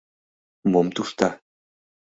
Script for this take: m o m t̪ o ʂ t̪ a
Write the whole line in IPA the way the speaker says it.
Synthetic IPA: m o m t̪ u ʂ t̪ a